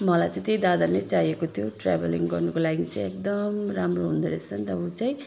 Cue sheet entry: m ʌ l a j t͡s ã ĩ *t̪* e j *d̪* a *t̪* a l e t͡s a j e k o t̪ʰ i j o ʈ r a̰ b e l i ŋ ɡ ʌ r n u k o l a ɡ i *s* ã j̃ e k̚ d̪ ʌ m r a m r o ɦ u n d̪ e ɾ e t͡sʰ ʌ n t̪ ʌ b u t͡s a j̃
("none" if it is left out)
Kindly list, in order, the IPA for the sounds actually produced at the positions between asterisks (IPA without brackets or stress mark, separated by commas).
t̪, d̪, d̪, t͡s